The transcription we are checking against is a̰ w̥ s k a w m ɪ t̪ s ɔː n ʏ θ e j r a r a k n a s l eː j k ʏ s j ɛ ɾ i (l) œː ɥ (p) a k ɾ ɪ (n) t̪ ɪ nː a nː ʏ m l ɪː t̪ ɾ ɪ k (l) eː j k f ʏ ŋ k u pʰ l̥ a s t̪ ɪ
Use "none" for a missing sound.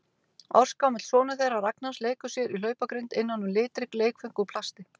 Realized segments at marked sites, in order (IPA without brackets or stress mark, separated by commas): l, p, n, l